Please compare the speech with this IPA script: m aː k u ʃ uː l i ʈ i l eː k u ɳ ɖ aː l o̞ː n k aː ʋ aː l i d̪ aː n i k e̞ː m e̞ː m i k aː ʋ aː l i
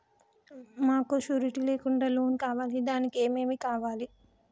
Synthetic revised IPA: m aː k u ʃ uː ɾ i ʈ i l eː k u ɳ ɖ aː l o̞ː n k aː ʋ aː l i d̪ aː n i k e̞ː m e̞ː m i k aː ʋ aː l i